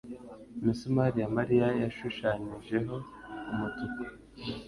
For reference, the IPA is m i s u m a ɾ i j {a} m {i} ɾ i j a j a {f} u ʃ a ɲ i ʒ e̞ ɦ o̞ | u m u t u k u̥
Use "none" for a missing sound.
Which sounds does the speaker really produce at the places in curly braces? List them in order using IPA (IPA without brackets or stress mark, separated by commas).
a, a, ʃ